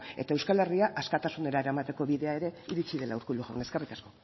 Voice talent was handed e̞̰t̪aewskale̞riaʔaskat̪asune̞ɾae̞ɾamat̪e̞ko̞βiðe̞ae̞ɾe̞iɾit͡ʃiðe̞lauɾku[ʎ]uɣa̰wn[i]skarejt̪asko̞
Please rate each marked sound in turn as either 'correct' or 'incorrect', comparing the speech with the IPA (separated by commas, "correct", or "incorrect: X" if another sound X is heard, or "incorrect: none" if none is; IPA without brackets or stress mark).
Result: incorrect: l, incorrect: e